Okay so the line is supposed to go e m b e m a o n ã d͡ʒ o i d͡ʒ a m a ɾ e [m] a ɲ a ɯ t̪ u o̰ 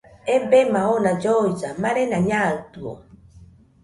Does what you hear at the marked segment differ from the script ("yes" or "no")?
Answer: yes